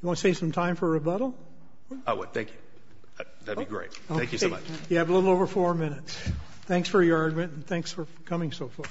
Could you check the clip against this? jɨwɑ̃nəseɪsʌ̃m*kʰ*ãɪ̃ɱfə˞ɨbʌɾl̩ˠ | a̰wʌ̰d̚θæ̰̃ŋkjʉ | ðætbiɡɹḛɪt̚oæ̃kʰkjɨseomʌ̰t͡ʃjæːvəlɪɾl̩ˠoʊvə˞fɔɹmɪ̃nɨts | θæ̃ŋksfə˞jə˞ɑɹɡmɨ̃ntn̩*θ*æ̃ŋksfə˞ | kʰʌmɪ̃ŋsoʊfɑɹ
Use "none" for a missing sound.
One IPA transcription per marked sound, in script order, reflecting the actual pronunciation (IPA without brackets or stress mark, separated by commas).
tʰ, θ